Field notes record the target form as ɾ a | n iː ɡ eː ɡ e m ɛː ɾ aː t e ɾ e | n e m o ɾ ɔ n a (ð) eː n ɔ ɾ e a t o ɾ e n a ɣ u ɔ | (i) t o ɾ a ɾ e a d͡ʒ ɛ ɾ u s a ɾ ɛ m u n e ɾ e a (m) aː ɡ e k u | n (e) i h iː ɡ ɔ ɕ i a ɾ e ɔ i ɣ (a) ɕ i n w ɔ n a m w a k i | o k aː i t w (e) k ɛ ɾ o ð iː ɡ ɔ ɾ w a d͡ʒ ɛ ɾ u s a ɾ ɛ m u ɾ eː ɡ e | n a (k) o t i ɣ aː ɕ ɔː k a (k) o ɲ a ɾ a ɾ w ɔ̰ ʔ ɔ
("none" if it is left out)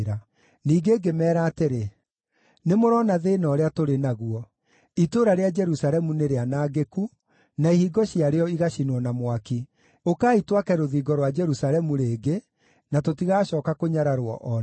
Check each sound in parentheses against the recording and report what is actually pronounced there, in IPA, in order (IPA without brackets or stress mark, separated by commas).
ð, i, n, a, a, a, t, k